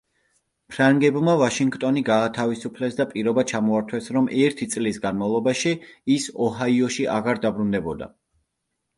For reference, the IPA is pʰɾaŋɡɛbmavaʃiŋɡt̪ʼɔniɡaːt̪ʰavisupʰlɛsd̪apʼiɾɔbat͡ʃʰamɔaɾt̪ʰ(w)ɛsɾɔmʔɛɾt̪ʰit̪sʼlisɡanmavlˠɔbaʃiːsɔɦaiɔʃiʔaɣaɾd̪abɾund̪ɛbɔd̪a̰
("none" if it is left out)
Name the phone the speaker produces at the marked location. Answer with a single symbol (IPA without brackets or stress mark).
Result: w